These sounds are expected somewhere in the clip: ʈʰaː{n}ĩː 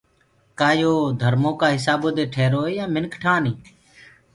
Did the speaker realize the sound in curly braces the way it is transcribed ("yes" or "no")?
yes